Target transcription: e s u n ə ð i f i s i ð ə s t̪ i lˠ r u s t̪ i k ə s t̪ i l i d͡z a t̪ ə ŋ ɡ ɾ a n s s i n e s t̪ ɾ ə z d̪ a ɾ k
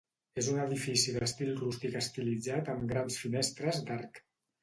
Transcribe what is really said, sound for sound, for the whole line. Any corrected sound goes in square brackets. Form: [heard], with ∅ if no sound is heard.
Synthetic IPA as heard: e [z] u n ə ð i f i s i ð ə s t̪ i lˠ r u s t̪ i k ə s t̪ i l i d͡z a t̪ ə [m] ɡ ɾ a n s [f] i n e s t̪ ɾ ə z d̪ a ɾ k